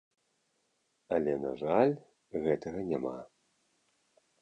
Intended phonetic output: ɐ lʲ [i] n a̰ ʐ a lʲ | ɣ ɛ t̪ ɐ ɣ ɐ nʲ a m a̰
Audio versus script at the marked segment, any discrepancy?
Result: yes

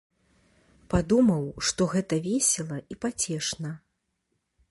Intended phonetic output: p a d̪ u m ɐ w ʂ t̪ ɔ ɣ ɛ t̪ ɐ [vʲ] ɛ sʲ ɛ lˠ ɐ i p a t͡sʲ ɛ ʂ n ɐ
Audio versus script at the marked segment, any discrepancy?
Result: no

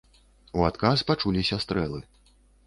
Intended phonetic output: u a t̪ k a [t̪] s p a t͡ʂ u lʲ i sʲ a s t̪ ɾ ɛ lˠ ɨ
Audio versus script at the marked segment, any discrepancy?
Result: yes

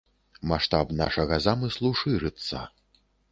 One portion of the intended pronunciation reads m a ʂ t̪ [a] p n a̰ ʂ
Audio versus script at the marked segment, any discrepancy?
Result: no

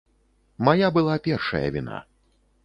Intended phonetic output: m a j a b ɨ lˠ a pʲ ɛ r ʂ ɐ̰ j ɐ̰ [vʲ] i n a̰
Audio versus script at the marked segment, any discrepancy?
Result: no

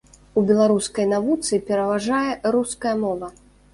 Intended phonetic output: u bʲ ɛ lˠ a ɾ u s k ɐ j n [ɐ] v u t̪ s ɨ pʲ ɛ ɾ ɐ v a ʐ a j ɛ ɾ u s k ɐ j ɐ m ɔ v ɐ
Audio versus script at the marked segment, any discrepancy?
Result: yes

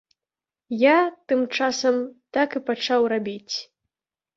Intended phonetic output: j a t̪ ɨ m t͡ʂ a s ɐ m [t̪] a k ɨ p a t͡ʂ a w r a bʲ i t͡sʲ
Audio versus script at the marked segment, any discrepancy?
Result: no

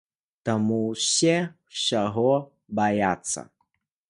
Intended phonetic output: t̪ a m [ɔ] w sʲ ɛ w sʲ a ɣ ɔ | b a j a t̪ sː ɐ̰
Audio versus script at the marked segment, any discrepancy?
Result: yes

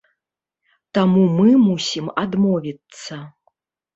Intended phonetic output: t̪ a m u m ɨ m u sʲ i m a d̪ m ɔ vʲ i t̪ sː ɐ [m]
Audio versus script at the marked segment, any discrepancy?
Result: yes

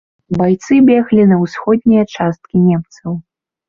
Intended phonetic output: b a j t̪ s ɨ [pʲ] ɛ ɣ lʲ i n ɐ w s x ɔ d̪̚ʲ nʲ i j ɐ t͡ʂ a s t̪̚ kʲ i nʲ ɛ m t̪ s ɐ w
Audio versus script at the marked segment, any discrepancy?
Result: yes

